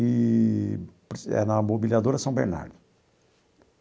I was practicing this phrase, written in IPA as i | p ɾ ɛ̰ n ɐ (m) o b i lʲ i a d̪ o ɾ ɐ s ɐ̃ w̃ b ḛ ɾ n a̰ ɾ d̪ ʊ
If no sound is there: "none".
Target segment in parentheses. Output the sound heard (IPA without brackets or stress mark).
m